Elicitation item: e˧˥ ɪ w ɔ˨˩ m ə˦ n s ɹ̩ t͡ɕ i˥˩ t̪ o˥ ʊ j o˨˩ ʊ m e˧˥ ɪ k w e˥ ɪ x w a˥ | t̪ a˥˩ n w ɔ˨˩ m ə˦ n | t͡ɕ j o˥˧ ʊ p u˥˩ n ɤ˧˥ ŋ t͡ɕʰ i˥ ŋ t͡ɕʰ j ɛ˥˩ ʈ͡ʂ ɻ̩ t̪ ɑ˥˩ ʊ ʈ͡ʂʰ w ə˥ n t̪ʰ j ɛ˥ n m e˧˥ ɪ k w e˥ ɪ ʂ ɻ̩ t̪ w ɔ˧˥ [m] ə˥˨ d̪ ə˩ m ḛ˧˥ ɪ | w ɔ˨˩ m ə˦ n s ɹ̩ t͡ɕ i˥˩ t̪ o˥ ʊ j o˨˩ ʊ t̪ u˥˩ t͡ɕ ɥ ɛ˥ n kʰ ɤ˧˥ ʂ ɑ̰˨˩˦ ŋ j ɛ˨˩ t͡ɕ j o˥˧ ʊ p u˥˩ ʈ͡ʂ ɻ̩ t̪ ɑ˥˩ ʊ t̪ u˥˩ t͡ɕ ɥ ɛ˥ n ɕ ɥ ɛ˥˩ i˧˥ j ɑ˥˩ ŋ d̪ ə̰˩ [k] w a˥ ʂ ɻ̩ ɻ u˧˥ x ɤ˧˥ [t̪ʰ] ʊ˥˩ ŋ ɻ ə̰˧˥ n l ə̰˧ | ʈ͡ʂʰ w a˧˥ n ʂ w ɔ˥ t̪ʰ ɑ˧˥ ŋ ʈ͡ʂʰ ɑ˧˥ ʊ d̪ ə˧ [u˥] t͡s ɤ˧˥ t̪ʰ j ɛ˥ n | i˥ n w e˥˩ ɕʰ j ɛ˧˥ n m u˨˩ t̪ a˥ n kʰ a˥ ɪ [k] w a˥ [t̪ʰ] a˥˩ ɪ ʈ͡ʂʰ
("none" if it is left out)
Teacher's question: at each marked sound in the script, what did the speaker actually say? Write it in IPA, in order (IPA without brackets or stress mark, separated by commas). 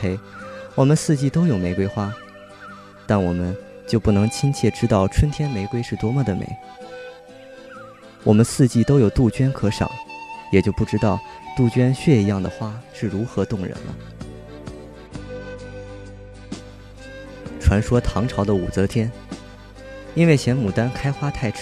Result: m, x, t̪, u˨˩, x, t̪ʰ